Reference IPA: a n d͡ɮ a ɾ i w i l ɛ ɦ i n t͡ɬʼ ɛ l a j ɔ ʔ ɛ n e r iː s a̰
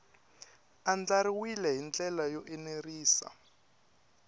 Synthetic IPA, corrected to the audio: a n d͡ɮ a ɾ i w i l ɛ ɦ i n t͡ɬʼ ɛ l a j ɔ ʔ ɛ n e r iː s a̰